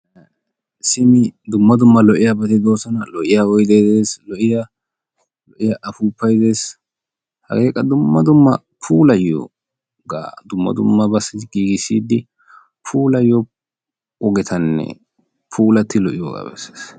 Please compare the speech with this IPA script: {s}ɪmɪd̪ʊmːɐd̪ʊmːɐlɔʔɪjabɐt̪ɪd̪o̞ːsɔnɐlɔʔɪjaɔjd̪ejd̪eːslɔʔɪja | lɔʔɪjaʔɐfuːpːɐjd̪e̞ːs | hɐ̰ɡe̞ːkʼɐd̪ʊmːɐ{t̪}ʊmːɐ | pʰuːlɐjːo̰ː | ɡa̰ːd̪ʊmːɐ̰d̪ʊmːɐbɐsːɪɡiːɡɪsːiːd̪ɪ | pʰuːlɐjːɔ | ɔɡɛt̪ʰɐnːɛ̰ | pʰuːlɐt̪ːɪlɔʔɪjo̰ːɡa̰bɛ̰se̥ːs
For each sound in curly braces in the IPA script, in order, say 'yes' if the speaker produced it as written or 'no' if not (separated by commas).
yes, no